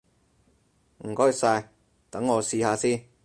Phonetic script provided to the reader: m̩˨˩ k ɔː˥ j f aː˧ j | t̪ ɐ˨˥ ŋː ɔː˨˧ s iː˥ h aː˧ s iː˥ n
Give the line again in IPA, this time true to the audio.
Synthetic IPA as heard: m̩˨˩ k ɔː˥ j s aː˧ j | t̪ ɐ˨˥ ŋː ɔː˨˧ s iː˧ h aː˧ s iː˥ n